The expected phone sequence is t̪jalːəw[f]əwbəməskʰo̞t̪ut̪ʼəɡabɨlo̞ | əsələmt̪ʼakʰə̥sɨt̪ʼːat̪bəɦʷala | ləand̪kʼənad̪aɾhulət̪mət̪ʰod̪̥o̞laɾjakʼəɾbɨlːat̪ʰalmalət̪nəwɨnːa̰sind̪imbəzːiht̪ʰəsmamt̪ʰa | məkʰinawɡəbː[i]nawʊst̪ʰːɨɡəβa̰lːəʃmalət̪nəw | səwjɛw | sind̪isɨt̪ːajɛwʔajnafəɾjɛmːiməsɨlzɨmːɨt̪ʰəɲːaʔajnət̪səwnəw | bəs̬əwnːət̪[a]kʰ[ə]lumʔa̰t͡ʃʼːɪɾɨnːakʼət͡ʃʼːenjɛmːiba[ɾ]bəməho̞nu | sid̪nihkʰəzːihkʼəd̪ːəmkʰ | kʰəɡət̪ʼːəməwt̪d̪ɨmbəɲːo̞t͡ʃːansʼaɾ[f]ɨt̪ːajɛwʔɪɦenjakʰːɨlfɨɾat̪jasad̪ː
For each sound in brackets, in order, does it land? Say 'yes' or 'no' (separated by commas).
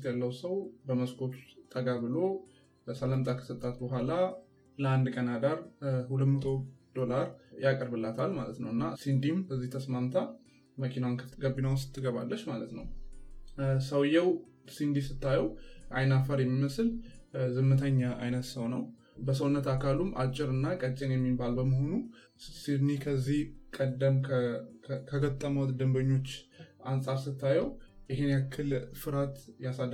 no, yes, yes, no, no, no